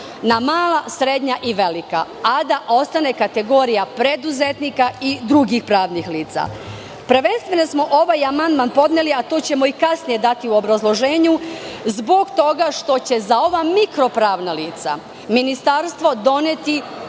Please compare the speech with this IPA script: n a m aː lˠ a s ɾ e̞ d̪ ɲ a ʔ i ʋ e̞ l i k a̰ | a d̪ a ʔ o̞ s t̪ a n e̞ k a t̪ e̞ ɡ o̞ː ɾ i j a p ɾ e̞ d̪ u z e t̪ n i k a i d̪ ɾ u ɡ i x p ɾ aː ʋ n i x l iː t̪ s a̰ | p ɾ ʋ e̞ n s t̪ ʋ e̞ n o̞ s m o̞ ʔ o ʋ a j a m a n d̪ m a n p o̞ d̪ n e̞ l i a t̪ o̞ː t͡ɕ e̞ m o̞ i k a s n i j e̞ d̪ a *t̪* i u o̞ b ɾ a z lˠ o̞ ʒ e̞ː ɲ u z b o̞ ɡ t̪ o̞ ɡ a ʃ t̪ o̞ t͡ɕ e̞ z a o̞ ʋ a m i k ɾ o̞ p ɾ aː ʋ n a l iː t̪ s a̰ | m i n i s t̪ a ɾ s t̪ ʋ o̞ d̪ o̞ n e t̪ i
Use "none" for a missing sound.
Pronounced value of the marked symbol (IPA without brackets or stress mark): t̪